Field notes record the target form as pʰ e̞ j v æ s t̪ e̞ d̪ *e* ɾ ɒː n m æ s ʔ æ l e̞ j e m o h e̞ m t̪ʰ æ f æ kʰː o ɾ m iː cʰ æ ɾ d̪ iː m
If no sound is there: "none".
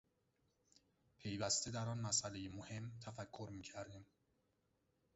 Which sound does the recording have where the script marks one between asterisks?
æ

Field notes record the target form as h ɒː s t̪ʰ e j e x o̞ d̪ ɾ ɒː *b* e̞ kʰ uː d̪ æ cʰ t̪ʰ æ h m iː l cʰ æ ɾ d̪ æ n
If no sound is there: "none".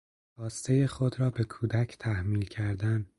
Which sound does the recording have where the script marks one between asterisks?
b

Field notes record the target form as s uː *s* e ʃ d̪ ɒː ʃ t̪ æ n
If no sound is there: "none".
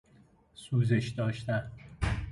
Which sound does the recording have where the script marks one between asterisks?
z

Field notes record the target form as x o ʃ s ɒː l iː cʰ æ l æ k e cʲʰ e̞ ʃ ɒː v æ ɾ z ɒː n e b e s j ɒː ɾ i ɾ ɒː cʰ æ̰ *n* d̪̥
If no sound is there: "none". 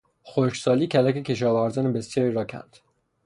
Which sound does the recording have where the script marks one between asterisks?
n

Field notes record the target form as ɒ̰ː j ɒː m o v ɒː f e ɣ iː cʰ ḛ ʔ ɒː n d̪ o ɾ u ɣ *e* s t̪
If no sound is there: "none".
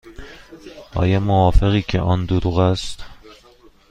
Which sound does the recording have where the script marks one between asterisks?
æ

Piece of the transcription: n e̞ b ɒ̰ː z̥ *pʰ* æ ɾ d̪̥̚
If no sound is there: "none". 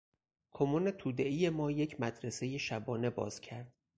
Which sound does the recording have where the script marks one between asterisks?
cʰ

